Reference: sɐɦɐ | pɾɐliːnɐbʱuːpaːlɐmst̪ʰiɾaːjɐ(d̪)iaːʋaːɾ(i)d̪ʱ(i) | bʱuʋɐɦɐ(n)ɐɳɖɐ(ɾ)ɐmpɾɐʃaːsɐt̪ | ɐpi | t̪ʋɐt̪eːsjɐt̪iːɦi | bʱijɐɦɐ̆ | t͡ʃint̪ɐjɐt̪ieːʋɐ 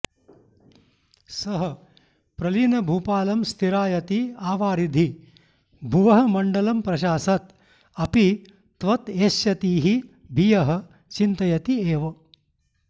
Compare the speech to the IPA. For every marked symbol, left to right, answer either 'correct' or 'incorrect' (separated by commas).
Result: incorrect, correct, correct, incorrect, incorrect